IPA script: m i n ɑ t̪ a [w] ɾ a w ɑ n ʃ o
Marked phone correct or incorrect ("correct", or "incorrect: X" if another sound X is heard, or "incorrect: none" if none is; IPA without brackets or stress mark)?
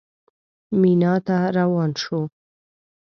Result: incorrect: none